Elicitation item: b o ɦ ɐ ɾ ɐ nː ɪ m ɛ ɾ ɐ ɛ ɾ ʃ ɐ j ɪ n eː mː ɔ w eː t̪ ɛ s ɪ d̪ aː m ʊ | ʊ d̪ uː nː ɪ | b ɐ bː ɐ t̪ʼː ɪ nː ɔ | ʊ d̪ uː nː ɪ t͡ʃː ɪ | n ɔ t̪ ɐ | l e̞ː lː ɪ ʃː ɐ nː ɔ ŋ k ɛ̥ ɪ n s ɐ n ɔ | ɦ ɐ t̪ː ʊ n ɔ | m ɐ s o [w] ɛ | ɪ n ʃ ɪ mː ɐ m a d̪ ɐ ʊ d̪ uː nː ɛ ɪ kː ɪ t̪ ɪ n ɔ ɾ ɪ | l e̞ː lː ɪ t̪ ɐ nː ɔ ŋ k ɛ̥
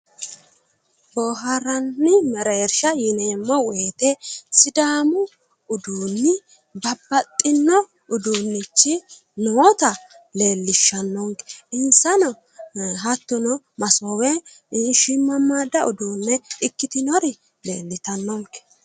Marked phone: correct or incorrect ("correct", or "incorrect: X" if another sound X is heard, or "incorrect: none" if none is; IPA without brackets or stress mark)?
correct